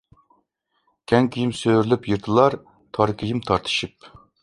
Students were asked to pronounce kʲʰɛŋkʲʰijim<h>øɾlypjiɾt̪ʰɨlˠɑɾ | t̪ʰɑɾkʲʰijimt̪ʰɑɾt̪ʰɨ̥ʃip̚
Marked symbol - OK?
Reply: no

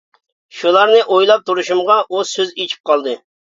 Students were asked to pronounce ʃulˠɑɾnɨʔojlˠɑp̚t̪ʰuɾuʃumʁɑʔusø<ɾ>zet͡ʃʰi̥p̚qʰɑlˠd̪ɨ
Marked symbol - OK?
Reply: no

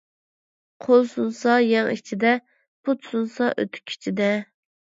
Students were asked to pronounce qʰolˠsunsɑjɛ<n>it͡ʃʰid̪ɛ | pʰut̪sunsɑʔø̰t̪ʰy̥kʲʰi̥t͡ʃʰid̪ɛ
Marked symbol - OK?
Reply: no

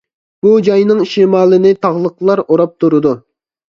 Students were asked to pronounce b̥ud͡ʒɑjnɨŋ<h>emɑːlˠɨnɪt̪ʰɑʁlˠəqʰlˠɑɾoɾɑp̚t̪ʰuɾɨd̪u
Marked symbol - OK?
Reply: no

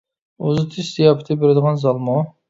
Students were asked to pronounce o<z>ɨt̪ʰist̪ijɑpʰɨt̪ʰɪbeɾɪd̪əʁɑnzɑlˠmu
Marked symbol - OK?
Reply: yes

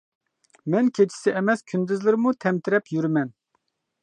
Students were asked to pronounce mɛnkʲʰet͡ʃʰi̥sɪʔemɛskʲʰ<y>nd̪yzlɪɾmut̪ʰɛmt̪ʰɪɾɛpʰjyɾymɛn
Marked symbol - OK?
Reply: yes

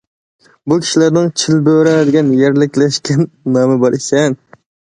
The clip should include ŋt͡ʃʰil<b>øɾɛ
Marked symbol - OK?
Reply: yes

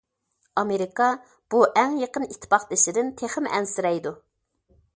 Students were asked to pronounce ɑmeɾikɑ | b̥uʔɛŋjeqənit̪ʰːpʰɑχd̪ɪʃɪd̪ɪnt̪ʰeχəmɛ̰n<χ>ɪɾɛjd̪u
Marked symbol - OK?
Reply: no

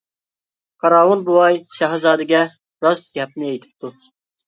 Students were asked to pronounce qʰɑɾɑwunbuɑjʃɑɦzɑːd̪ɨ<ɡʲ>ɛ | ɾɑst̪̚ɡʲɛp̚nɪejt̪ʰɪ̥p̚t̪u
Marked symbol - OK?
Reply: yes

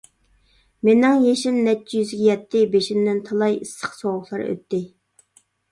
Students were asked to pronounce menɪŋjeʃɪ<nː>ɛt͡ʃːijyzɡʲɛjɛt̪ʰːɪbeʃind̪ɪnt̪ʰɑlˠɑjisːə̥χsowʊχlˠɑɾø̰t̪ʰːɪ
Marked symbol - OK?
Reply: yes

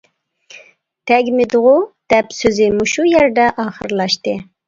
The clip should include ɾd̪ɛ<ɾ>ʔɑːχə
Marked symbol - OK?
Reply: no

